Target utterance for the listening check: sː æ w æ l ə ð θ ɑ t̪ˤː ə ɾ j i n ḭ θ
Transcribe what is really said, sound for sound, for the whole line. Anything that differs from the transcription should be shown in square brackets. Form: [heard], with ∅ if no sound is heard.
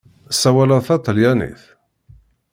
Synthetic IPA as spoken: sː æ w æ l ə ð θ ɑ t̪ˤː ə [l] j [æ] n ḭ θ